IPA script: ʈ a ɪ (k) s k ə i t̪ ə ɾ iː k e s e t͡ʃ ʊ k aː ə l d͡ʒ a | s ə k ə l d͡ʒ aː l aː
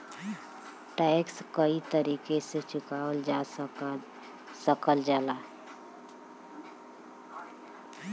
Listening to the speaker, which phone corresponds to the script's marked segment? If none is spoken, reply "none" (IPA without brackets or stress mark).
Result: k